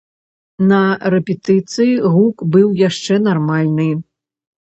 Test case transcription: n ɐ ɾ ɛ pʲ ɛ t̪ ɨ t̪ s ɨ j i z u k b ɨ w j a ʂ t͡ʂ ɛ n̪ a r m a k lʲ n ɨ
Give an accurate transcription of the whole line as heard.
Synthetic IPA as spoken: n ɐ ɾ ɛ pʲ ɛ t̪ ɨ t̪ s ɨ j i ɣ u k b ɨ w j a ʂ t͡ʂ ɛ n̪ a r m a lʲ n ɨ